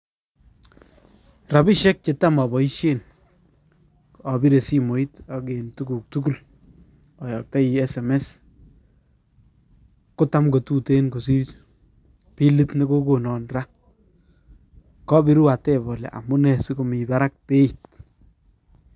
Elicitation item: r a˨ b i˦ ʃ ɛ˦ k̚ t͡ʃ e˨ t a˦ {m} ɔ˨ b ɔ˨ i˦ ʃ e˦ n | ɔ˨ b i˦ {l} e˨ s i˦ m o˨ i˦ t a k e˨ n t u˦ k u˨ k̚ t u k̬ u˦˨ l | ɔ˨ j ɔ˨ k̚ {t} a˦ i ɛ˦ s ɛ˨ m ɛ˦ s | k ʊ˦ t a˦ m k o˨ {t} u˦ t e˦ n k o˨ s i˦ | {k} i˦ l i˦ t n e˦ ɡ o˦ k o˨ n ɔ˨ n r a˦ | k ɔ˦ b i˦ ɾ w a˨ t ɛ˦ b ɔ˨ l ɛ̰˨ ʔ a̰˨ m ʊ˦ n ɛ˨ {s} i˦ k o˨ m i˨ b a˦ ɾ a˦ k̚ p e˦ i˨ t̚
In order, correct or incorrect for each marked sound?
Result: correct, incorrect, correct, correct, incorrect, correct

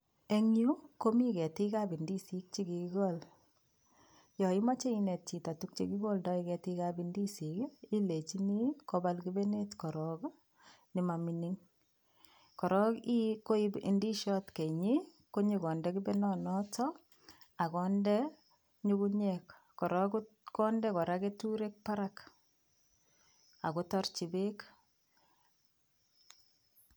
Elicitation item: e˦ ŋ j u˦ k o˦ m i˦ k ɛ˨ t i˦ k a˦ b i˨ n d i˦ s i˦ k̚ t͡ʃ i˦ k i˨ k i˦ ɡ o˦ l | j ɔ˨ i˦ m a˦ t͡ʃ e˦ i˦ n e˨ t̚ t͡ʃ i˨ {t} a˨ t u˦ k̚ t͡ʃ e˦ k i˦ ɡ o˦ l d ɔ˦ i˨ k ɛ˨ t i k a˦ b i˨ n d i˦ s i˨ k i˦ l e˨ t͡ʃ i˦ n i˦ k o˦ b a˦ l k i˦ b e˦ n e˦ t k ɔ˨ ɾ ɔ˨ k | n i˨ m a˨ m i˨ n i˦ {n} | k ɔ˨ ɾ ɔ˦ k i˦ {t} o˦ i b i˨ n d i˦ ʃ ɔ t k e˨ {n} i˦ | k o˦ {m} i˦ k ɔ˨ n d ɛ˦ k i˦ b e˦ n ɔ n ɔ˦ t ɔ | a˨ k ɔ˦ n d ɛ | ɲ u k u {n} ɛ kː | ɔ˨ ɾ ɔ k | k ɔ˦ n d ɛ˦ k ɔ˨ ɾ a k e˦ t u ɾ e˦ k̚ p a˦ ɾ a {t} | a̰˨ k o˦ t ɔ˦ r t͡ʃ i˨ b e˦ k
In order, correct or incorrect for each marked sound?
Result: correct, incorrect, incorrect, incorrect, incorrect, incorrect, incorrect

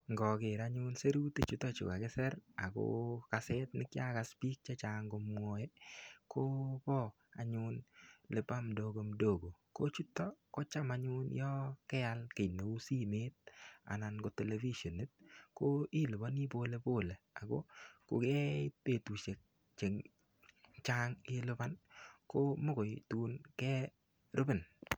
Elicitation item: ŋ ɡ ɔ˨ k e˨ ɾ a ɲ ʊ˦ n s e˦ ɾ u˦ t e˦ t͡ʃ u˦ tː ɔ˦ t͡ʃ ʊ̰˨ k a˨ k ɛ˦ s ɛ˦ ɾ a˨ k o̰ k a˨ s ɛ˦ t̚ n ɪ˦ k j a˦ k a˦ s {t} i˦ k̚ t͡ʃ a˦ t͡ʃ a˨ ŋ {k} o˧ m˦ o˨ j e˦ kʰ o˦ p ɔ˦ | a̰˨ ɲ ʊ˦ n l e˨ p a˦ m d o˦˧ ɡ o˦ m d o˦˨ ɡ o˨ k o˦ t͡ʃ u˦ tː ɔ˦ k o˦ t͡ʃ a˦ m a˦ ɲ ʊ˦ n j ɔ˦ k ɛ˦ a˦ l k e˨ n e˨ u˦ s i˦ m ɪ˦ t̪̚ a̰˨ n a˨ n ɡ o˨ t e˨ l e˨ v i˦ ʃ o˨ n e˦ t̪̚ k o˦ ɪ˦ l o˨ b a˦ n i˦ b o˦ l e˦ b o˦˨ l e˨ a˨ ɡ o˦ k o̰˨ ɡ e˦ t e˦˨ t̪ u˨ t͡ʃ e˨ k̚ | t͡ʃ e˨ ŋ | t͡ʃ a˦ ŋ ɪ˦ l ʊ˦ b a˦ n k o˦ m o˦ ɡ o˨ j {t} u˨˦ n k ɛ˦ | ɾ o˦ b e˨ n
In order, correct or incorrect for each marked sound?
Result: incorrect, incorrect, correct

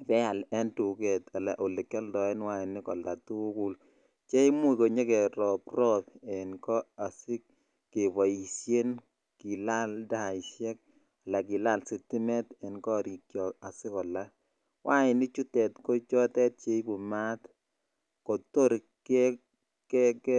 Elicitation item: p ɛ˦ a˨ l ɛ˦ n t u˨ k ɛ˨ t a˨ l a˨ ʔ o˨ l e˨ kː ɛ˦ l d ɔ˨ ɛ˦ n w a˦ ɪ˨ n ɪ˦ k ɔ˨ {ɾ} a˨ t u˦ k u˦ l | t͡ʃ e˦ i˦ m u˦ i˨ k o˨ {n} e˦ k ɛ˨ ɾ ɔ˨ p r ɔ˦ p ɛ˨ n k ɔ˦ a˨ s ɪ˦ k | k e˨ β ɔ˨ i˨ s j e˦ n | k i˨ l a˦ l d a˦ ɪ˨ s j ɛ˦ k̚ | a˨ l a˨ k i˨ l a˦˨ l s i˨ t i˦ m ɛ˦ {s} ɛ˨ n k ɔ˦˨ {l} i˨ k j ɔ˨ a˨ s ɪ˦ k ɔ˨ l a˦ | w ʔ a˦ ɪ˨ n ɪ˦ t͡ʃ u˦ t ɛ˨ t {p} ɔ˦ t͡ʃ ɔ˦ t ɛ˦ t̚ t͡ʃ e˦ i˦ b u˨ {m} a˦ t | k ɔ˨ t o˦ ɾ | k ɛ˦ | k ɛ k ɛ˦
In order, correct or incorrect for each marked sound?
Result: incorrect, incorrect, incorrect, incorrect, incorrect, correct

